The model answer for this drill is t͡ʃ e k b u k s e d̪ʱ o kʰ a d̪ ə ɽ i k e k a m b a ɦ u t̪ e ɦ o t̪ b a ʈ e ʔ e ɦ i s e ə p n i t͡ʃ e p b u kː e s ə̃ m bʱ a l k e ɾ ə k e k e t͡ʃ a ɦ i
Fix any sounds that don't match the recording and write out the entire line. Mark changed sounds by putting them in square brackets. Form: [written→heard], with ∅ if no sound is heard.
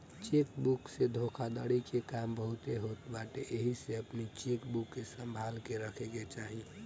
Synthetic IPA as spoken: t͡ʃ e k b u k s e d̪ʱ o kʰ a d̪ ə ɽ i k e k a m b [a→ə] ɦ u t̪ e ɦ o t̪ b a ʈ e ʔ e ɦ i s e ə p n i t͡ʃ e [p→k] b u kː e s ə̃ m bʱ a l k e ɾ ə [k→kʰ] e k e t͡ʃ a ɦ i